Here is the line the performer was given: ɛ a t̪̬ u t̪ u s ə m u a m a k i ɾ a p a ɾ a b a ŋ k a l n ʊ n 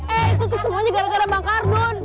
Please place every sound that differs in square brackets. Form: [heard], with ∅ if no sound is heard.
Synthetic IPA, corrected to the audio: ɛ [i] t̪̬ u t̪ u s ə m u a [ɲ] a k [a] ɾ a [k] a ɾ a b a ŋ k a [r] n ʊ n